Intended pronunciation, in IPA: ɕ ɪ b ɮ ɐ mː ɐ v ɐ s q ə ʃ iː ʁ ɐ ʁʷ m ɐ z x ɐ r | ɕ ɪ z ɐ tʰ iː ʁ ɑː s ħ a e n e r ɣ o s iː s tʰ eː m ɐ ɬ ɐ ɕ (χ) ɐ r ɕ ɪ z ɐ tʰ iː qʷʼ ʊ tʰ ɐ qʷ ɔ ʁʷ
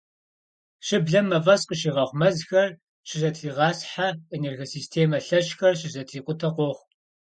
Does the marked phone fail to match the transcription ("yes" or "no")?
yes